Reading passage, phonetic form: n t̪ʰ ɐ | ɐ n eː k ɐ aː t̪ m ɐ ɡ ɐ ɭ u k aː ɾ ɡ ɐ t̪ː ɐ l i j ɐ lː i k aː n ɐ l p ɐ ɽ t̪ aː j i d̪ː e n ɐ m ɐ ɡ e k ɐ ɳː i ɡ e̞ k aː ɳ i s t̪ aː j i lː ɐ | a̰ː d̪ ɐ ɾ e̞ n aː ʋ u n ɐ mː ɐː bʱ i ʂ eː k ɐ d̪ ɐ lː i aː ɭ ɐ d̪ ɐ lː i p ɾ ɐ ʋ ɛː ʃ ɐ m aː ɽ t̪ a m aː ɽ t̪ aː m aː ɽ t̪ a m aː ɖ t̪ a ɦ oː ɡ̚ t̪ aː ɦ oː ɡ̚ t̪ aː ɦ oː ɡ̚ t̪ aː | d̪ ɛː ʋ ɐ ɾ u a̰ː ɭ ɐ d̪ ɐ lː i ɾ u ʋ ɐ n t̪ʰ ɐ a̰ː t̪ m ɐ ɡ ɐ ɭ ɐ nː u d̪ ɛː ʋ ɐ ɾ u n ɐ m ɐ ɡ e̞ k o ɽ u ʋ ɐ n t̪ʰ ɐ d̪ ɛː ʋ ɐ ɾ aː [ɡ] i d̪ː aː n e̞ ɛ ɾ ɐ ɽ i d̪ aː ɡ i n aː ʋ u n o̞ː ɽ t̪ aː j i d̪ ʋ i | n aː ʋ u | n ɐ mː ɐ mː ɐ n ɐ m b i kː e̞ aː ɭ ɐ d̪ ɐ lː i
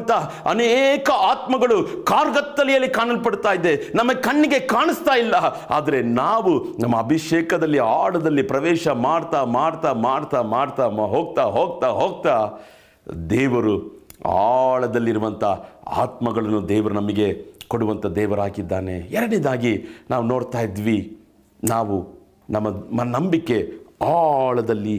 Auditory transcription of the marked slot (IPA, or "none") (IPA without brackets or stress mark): k